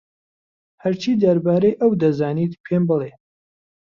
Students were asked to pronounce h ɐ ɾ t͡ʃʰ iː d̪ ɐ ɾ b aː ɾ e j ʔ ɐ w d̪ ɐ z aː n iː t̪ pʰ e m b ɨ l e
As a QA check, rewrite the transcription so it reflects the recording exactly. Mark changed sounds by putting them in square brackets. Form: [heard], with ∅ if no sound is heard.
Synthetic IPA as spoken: h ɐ ɾ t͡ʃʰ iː d̪ ɐ ɾ b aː ɾ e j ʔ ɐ w d̪ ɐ z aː n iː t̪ pʰ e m b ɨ l e